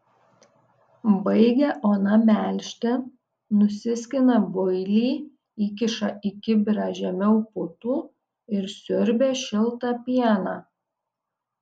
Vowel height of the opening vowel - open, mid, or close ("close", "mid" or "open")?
open